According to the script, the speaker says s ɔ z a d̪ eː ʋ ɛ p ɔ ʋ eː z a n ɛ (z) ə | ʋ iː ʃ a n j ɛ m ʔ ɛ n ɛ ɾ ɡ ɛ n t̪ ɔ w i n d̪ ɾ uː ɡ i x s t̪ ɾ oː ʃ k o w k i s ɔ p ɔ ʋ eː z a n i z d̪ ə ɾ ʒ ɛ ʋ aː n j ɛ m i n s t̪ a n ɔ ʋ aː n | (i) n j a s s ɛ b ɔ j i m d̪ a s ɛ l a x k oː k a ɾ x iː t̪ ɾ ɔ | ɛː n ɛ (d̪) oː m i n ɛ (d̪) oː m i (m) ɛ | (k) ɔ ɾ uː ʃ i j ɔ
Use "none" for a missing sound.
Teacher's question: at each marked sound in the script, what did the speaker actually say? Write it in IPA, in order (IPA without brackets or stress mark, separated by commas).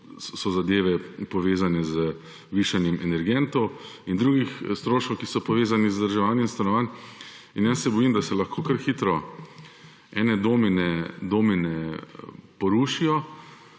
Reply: z, i, d̪, d̪, n, p